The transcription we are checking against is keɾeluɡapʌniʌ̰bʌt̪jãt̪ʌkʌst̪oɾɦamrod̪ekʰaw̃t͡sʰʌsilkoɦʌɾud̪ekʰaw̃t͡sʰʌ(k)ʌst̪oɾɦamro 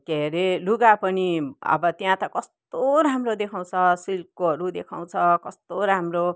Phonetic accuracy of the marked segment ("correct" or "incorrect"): correct